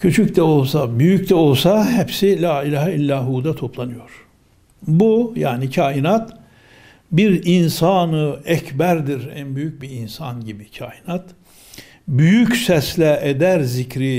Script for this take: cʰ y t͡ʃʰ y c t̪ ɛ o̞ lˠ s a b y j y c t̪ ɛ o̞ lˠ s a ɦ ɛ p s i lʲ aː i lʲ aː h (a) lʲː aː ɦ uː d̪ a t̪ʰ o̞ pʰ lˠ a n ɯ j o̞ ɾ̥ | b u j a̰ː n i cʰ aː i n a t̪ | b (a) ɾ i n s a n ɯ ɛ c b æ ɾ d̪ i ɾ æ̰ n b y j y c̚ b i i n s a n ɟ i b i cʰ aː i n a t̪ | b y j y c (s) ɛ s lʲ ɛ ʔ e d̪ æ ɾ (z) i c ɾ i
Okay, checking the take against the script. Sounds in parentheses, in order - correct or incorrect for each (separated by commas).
incorrect, incorrect, correct, correct